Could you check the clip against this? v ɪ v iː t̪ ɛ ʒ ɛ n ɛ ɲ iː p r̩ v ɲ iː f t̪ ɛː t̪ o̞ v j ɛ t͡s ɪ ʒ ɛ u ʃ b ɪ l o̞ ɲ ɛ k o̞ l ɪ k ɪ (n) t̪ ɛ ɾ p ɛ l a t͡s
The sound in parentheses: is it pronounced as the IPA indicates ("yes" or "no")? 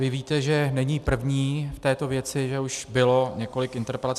yes